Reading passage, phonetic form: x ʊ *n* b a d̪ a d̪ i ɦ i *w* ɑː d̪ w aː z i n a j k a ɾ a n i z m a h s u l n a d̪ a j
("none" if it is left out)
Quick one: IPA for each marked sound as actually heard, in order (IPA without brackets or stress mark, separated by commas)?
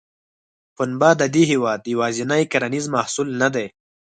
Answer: n, w